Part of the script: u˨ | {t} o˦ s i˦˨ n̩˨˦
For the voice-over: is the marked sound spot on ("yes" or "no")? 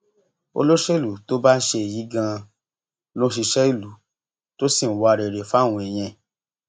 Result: yes